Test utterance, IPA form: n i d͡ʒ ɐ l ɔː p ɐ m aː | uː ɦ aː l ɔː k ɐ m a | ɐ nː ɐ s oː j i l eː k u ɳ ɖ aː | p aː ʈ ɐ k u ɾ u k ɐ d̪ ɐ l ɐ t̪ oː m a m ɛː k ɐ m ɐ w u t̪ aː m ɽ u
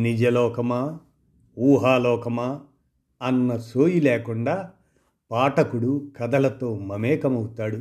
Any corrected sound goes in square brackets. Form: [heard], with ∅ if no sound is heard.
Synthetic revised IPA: n i d͡ʒ ɐ l ɔː [k] ɐ m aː | uː ɦ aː l ɔː k ɐ m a | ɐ nː ɐ s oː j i l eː k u ɳ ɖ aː | p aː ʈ ɐ k u [ɽ] u k ɐ d̪ ɐ l ɐ t̪ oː m [ɐ] m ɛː k ɐ m ɐ w u t̪ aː [∅] ɽ u